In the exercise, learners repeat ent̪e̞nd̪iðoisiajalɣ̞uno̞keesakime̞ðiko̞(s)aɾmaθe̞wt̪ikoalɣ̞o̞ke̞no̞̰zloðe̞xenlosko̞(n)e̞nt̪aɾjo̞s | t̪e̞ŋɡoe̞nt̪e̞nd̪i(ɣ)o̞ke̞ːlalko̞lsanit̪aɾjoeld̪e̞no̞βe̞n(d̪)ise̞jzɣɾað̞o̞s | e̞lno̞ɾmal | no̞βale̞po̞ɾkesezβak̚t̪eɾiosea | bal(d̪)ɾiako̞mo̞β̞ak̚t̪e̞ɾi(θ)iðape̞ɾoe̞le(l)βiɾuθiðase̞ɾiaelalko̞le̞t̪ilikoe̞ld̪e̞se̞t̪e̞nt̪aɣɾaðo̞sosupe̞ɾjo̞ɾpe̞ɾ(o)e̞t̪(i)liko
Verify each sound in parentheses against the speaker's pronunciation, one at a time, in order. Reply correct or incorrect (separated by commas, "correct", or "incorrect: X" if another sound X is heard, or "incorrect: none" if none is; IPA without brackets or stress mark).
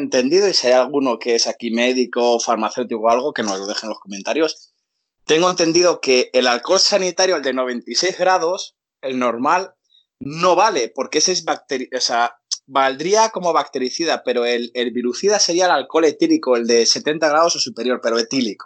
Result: incorrect: f, incorrect: m, incorrect: ð, incorrect: t̪, correct, correct, correct, correct, correct